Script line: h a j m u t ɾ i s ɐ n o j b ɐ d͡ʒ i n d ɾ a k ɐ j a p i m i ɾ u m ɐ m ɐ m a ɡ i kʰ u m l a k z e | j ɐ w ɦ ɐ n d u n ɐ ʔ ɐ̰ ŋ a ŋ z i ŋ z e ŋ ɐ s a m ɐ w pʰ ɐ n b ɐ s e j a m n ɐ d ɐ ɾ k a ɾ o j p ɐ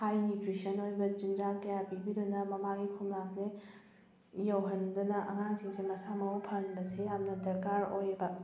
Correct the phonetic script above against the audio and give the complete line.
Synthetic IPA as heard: h a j n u t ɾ i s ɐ n o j b ɐ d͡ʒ i n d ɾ a k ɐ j a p i b i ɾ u n ɐ m ɐ m a ɡ i kʰ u m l a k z e | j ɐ w ɦ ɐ n d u n ɐ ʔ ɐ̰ ŋ a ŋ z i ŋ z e m ɐ s a m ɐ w pʰ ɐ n b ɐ s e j a m n ɐ d ɐ ɾ k a ɾ o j b ɐ